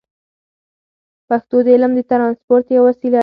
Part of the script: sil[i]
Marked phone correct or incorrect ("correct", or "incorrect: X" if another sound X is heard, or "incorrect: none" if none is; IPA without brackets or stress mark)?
incorrect: a